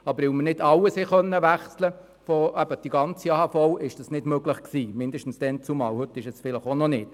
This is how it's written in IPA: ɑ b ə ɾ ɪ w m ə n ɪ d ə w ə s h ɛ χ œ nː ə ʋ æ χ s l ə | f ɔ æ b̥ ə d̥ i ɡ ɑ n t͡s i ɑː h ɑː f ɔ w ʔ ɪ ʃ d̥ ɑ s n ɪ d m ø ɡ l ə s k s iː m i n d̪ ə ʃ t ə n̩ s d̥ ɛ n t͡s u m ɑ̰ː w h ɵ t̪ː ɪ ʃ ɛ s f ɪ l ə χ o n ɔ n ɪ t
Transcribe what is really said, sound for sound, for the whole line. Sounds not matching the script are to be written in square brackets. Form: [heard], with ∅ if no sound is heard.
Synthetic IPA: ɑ b ə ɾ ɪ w m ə n ɪ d [ɑ] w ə s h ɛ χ œ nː ə ʋ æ χ s l ə | f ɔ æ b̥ ə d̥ i ɡ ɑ n t͡s i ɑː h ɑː f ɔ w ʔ ɪ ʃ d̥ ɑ s n ɪ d m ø ɡ l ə [χ] k s iː m [ɪ] n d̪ ə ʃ t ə n̩ s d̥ ɛ n t͡s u m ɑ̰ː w h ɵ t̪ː ɪ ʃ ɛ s f ɪ l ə χ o n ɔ n ɪ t